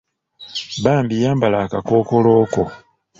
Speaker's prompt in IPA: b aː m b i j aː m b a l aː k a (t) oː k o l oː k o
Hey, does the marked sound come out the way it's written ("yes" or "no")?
no